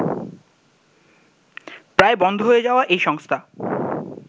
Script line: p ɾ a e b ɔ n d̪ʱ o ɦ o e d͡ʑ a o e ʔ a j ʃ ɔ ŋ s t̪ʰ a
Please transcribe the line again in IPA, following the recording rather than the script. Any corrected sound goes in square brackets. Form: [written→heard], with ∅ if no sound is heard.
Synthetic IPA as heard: p ɾ a e b ɔ n d̪ʱ o ɦ o e d͡ʑ a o [e→a] ʔ [a→e] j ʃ ɔ ŋ s t̪ʰ a